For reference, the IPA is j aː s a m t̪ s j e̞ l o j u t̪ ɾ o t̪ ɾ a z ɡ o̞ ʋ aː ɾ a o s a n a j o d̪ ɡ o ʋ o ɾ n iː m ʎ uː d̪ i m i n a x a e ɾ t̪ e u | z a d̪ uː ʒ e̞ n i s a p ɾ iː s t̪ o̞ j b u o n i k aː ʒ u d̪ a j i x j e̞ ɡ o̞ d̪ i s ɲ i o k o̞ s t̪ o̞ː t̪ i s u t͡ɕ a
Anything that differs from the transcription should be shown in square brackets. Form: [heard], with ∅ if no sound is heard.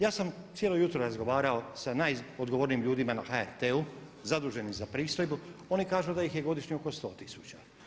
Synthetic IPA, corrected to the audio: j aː s a m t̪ s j e̞ l o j u t̪ ɾ o [∅] ɾ a z ɡ o̞ ʋ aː ɾ a o s a n a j o d̪ ɡ o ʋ o ɾ n iː m ʎ uː d̪ i m [a] n a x a e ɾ t̪ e u | z a d̪ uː ʒ e̞ n i [z] a p ɾ iː s t̪ o̞ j b u o n i k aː ʒ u d̪ a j i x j e̞ ɡ o̞ d̪ i [ʃ] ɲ i o k o̞ s t̪ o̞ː t̪ i s u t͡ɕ a